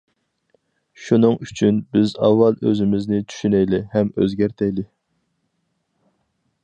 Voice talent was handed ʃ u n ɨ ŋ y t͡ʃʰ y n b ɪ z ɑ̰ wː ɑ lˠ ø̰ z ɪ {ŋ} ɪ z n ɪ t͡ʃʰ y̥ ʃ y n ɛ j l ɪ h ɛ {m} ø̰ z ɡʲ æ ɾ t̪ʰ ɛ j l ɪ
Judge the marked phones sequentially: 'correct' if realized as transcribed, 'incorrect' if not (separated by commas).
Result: incorrect, correct